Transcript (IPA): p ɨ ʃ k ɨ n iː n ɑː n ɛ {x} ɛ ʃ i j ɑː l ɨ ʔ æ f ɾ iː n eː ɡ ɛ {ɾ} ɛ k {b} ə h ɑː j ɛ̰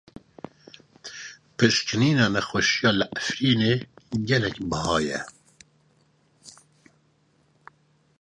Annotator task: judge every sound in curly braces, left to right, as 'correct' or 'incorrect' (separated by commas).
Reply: correct, incorrect, correct